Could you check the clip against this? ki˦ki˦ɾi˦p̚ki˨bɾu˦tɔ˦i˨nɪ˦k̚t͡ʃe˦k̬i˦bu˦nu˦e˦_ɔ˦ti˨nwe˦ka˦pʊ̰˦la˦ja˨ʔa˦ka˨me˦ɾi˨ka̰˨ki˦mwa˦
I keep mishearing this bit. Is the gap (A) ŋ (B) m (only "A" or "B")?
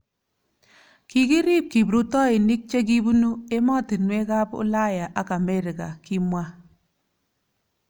B